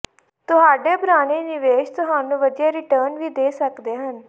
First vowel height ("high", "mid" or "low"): high